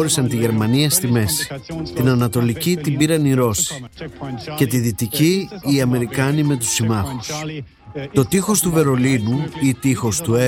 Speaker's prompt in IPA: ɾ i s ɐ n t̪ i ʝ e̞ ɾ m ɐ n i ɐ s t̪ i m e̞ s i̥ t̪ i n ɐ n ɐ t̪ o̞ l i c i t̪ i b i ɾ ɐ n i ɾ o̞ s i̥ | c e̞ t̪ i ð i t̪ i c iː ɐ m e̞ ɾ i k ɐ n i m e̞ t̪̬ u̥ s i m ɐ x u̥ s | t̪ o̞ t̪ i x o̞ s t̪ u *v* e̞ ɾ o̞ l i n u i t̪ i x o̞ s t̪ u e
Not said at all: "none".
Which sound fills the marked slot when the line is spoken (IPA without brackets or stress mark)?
v